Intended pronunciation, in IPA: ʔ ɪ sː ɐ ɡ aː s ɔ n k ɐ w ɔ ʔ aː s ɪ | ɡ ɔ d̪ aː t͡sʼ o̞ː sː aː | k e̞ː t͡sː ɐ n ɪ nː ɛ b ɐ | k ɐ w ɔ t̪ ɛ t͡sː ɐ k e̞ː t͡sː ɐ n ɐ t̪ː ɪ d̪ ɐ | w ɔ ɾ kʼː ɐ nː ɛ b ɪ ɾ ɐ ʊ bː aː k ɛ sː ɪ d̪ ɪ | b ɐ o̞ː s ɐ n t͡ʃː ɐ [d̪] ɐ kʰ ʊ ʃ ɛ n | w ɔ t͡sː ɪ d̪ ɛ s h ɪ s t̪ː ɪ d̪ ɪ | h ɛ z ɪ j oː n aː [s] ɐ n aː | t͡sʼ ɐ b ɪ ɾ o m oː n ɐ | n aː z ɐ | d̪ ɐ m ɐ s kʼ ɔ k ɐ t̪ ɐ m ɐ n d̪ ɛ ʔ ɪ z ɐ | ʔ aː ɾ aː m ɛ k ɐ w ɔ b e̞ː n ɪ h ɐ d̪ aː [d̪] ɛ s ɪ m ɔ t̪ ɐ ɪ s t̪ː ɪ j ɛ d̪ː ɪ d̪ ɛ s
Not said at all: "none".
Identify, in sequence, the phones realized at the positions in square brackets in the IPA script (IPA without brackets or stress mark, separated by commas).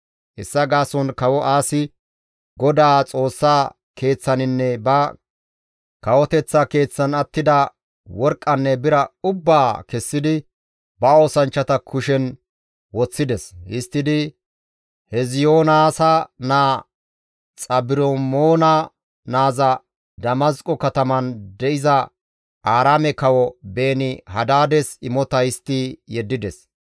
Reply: t̪, s, d̪